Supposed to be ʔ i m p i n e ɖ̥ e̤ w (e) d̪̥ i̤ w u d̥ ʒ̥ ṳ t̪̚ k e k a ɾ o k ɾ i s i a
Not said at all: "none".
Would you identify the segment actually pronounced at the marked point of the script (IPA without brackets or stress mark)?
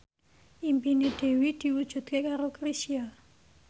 i